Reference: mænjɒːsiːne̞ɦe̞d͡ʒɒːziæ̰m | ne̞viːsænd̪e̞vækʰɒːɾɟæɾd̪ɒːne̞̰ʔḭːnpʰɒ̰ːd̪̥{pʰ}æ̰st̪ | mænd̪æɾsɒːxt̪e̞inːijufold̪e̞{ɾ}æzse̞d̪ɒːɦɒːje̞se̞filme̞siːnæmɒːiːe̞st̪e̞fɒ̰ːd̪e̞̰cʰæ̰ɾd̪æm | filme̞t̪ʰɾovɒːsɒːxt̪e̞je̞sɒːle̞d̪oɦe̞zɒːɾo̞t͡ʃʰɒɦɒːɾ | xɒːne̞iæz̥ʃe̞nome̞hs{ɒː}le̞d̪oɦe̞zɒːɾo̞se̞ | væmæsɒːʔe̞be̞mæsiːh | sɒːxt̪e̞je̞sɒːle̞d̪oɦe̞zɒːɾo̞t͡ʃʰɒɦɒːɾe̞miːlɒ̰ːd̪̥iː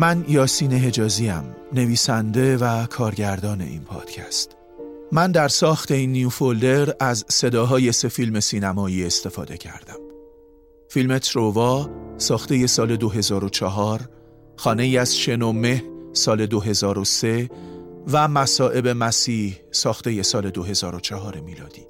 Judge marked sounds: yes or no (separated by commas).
no, yes, yes